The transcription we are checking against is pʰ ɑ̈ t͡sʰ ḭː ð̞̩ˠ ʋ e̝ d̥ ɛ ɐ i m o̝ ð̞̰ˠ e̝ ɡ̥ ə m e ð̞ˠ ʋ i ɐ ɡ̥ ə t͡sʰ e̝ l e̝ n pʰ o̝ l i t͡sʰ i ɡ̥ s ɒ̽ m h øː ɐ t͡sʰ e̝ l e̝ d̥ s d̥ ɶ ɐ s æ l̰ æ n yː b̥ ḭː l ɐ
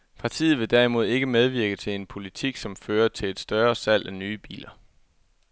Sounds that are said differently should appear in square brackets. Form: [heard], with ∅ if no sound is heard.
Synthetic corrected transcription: pʰ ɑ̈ t͡sʰ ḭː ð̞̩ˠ ʋ e̝ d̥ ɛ ɐ i m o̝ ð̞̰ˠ e̝ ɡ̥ ə m e ð̞ˠ ʋ i ɐ ɡ̥ ə t͡sʰ e̝ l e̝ n pʰ o̝ l i t͡sʰ i ɡ̥ s ɒ̽ m [f] øː ɐ t͡sʰ e̝ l e̝ d̥ s d̥ ɶ ɐ s æ l̰ æ n yː b̥ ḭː l ɐ